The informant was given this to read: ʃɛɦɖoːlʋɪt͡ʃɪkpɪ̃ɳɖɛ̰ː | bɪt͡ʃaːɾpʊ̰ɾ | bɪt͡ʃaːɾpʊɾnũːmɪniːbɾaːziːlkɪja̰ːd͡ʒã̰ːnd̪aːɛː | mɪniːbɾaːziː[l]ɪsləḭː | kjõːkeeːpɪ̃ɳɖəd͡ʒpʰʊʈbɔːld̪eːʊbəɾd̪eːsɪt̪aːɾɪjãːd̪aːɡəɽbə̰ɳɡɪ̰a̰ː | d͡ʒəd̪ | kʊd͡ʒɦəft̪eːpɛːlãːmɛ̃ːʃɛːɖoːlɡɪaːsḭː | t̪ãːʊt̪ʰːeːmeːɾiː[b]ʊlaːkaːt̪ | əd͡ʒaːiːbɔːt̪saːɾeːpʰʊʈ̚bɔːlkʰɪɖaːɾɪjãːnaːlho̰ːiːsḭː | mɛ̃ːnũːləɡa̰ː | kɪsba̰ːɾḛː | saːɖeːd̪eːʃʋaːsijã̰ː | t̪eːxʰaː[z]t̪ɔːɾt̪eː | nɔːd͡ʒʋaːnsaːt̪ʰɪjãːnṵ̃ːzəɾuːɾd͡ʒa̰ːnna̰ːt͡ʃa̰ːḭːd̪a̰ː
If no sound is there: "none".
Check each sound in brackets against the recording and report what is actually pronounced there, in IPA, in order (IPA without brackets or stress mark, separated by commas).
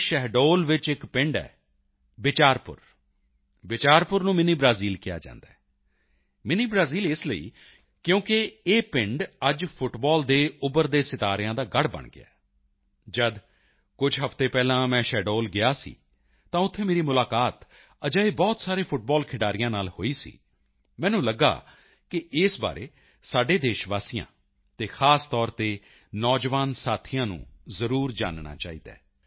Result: l, m, s